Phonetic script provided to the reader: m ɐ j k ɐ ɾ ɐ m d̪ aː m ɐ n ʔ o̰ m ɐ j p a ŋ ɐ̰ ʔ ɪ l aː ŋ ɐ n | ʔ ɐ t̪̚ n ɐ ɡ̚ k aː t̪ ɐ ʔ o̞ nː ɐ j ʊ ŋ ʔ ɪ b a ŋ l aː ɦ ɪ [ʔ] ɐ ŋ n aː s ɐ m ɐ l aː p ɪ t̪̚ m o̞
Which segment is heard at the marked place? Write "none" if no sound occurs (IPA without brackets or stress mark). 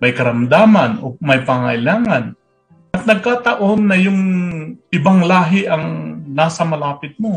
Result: ʔ